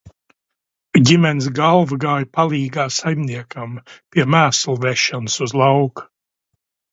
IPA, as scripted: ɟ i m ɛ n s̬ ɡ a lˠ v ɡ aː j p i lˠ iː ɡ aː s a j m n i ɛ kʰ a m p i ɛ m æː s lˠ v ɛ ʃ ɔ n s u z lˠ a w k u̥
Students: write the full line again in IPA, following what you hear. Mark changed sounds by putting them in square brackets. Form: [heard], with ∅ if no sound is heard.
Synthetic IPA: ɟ i m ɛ n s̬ ɡ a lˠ v ɡ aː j p [a] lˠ iː ɡ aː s a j m n i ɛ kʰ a m p i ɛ m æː s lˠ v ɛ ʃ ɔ n s u z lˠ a w k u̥

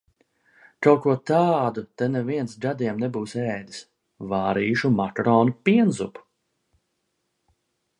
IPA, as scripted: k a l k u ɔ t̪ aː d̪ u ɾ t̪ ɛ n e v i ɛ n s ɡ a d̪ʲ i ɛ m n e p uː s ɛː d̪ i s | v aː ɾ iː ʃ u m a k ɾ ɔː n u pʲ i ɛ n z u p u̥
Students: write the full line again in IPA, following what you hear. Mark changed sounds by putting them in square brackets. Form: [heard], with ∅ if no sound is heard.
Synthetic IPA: k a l k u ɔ t̪ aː d̪ u [∅] t̪ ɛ n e v i ɛ n s ɡ a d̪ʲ i ɛ m n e [b] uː s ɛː d̪ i s | v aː ɾ iː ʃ u m a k ɾ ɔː n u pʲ i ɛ n z u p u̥

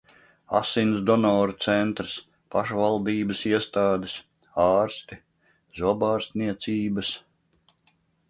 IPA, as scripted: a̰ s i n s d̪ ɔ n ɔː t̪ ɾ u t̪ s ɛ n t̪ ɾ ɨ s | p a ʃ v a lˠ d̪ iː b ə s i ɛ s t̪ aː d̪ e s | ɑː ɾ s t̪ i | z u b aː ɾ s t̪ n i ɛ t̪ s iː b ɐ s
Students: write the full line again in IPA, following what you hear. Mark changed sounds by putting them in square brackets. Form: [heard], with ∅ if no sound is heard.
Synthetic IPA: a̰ s i n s d̪ ɔ n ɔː [∅] ɾ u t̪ s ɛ n t̪ ɾ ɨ s | p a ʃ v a lˠ d̪ iː b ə s i ɛ s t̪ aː d̪ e s | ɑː ɾ s t̪ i | z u b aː ɾ s t̪ n i ɛ t̪ s iː b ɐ s

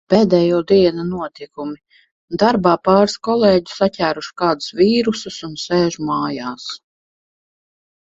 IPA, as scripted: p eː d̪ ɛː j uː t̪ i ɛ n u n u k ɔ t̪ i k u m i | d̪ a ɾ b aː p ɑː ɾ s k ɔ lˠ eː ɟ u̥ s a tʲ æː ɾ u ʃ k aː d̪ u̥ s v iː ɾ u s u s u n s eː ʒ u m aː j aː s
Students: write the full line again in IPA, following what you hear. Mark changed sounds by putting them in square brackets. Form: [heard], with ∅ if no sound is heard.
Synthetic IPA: p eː d̪ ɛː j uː [d̪] i ɛ n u n u [∅] ɔ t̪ i k u m i | d̪ a ɾ b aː p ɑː ɾ s k ɔ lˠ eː ɟ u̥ s a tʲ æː ɾ u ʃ k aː d̪ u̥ s v iː ɾ u s u s u n s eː ʒ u m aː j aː s

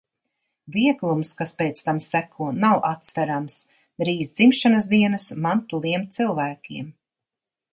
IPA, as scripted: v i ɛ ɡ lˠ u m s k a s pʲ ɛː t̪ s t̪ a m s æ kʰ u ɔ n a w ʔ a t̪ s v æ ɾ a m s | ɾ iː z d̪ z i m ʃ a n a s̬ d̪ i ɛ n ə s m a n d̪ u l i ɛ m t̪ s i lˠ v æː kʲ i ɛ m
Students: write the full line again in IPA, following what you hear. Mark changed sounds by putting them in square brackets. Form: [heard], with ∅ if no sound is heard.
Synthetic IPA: v i ɛ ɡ lˠ u m s k a s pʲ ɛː t̪ s t̪ a m s æ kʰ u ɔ n a w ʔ a t̪ s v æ ɾ a m s | ɾ iː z d̪ z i m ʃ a n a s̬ d̪ i ɛ n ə s m a n [t̪] u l i ɛ m t̪ s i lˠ v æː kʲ i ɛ m

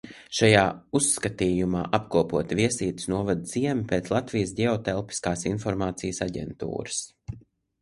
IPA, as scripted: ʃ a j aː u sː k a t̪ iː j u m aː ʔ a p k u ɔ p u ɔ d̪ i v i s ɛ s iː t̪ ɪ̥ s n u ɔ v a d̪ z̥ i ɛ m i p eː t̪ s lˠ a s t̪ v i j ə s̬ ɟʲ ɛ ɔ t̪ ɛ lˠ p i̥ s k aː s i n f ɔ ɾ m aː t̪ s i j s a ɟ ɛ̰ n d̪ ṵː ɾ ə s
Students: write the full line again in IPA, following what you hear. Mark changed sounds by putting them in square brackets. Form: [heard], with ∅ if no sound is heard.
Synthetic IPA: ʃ a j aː u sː k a t̪ iː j u m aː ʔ a p k u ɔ p u ɔ [t̪] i v i [∅] ɛ s iː t̪ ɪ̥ s n u ɔ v a d̪ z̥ i ɛ m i p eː t̪ s lˠ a [∅] t̪ v i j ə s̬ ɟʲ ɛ ɔ t̪ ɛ lˠ p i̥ s k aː s i n f ɔ ɾ m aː t̪ s i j s a ɟ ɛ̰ n [t̪] ṵː ɾ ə s

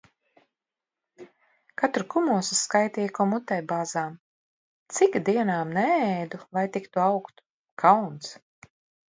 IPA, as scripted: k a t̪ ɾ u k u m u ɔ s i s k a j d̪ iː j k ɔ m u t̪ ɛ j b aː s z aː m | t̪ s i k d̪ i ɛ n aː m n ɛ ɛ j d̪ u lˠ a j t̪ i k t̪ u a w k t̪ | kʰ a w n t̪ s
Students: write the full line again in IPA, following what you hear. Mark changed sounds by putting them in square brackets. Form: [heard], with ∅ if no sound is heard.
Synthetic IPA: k a t̪ ɾ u k u m u ɔ s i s k a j [t̪] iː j k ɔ m u t̪ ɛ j b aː [∅] z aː m | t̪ s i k d̪ i ɛ n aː m n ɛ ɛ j d̪ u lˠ a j t̪ i k t̪ u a w k t̪ | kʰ a w n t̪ s

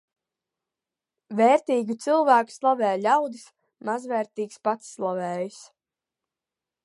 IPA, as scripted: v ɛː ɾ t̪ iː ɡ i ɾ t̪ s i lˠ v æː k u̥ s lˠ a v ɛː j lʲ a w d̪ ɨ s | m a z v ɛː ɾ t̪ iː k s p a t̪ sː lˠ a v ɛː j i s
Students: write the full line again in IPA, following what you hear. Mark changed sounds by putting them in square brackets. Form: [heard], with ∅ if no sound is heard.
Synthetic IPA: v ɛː ɾ t̪ iː ɡ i [∅] t̪ s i lˠ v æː k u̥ s lˠ a v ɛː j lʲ a w d̪ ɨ s | m a z v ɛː ɾ t̪ iː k s p a t̪ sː lˠ a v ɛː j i s

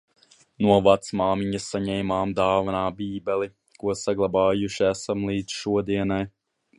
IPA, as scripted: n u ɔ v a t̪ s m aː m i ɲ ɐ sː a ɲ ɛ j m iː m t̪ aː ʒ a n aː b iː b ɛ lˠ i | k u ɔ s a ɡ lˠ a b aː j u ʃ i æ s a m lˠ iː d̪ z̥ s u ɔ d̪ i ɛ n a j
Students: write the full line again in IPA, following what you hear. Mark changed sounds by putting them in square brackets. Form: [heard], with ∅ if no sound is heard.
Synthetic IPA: n u ɔ v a t̪ s m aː m i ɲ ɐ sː a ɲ ɛ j m [aː] m [d̪] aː [v] a n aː b iː b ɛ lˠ i | k u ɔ s a ɡ lˠ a b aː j u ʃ i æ s a m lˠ iː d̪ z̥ [ʃ] u ɔ d̪ i ɛ n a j

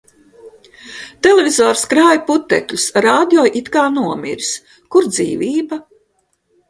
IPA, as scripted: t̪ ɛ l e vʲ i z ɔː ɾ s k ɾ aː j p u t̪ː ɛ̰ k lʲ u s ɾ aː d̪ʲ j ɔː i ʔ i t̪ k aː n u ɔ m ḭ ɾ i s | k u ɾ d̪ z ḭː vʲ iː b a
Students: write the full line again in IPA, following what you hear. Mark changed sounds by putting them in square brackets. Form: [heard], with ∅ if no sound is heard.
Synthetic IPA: t̪ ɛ l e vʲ i z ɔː ɾ s k ɾ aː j p u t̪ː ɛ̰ k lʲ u s ɾ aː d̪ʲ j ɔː [j] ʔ i t̪ k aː n u ɔ m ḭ ɾ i s | k u ɾ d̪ z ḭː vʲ iː b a

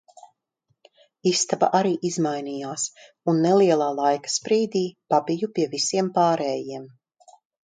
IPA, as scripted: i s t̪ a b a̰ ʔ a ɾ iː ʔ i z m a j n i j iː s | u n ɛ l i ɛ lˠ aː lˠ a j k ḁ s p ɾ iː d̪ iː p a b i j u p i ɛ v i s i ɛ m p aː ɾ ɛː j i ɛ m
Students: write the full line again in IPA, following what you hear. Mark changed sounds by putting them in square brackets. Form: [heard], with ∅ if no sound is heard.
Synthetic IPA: i s t̪ a b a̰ ʔ a ɾ iː ʔ i z m a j n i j [aː] s | u [nː] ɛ l i ɛ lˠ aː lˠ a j k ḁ s p ɾ iː d̪ iː p a b i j u p i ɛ v i s i ɛ m p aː ɾ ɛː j i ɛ m

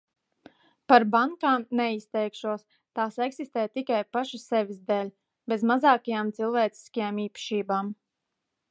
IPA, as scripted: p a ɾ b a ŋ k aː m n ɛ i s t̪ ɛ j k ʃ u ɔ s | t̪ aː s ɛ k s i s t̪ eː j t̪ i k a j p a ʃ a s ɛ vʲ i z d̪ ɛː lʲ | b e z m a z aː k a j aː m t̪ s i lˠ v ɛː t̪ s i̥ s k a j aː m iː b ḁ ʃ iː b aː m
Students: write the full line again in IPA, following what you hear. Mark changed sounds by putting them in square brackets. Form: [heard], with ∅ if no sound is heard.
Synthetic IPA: p a ɾ b a ŋ k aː m n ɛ i s t̪ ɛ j k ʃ u ɔ s | t̪ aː s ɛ k s i s t̪ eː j t̪ i k a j p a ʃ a s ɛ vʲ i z d̪ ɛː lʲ | b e z m a z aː k a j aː m t̪ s i lˠ v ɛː t̪ s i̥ s k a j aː m iː [p] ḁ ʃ iː b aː m

